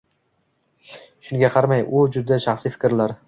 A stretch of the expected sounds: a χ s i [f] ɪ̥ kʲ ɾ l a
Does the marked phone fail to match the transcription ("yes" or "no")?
no